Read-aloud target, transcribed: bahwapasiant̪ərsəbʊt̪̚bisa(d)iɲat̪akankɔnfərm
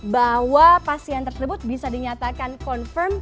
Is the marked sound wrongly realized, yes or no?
no